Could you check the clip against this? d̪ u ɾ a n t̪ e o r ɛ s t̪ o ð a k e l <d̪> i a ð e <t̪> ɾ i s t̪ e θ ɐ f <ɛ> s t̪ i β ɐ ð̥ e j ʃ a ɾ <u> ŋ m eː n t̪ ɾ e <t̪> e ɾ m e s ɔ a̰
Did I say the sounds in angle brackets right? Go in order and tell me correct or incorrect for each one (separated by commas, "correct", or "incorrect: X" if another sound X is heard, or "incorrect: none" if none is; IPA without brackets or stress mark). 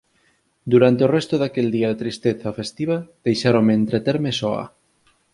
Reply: correct, correct, incorrect: e, incorrect: o, correct